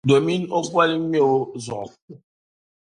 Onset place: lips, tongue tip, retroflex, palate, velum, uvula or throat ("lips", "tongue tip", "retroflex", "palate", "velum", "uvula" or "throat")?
tongue tip